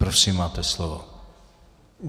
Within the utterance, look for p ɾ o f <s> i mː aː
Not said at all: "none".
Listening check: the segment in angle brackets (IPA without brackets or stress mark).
s